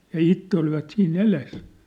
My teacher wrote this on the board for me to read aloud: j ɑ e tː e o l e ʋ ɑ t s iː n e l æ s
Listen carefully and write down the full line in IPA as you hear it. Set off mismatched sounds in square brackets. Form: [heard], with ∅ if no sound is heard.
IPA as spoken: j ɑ [i] tː e o l [i] ʋ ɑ t s iː n e l [e] s